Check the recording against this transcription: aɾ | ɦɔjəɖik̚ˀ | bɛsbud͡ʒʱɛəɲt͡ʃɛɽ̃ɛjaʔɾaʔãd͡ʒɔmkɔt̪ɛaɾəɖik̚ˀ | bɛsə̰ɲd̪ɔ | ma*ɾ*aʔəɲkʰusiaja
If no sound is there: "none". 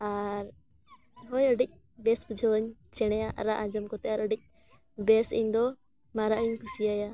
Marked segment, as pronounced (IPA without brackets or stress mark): ɾ